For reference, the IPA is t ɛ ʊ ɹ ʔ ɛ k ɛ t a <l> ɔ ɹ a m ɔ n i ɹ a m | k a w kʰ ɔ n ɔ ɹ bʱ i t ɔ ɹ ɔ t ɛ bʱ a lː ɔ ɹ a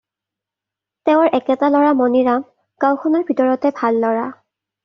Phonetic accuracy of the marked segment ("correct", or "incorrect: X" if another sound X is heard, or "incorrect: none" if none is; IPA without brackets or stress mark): correct